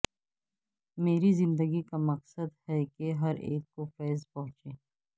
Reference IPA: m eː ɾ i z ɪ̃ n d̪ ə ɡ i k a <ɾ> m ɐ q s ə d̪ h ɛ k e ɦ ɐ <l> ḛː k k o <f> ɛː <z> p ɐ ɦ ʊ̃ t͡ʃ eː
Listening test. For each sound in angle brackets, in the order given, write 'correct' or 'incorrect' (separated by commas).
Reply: incorrect, incorrect, correct, correct